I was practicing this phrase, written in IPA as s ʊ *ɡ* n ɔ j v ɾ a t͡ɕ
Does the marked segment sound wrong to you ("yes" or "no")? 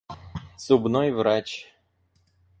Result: yes